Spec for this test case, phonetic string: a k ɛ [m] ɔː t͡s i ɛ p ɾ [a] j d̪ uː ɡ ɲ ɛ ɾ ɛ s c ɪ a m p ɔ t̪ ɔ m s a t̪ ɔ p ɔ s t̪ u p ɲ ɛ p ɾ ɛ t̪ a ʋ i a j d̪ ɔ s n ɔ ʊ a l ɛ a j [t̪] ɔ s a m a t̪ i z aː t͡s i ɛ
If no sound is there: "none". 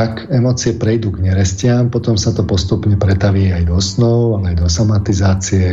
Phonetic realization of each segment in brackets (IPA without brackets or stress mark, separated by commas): m, ɛ, d̪